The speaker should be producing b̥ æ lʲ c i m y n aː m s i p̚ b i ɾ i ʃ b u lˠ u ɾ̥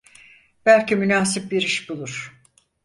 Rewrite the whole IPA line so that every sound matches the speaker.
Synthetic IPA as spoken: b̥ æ lʲ c i m y n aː s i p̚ b i ɾ i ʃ b u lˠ u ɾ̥